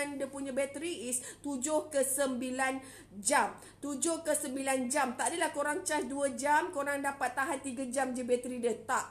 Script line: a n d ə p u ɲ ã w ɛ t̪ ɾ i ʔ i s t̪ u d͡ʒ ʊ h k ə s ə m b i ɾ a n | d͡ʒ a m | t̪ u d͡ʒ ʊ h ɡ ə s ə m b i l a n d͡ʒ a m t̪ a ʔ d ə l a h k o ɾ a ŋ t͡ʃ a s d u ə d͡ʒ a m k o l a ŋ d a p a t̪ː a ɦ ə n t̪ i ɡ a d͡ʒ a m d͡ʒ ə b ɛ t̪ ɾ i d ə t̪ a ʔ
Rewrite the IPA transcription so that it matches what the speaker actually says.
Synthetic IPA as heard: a n d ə p u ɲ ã b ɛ t̪ ɾ i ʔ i s t̪ u d͡ʒ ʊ h k ə s ə m b i l a n | d͡ʒ a m | t̪ u d͡ʒ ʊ h k ə s ə m b i l a n d͡ʒ a m t̪ a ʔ d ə l a h k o ɾ a ŋ t͡ʃ a s d u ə d͡ʒ a m k o ɾ a ŋ d a p a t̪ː a ɦ a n t̪ i ɡ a d͡ʒ a m d͡ʒ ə b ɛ t̪ ɾ i d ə t̪ a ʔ